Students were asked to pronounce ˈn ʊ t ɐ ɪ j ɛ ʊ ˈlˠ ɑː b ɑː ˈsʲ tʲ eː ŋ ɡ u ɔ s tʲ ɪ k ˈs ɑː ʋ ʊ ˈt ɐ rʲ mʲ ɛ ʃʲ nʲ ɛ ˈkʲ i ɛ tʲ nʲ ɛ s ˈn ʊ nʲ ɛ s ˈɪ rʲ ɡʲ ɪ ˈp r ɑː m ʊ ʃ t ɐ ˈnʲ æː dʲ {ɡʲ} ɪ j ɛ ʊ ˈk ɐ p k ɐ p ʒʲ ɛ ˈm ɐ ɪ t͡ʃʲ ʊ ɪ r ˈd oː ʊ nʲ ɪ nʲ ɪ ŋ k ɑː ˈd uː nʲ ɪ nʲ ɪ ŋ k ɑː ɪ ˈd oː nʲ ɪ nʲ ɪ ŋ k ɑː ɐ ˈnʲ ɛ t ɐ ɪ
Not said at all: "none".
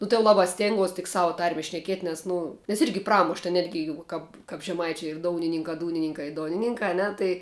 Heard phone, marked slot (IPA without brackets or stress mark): ɡʲ